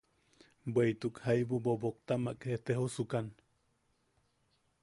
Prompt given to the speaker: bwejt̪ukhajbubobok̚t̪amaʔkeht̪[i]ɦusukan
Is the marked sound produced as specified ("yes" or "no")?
no